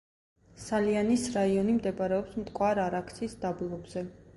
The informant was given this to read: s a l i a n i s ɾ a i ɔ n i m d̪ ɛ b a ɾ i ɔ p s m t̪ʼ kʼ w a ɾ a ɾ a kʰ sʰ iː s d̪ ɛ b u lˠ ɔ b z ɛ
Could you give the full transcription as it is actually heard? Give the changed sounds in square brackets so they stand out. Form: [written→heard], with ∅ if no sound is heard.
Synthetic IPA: s a l i a n i s ɾ a i ɔ n i m d̪ ɛ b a ɾ [i→ɛ] ɔ p s m t̪ʼ kʼ w a ɾ a ɾ a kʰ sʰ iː s d̪ [ɛ→a] b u lˠ ɔ b z ɛ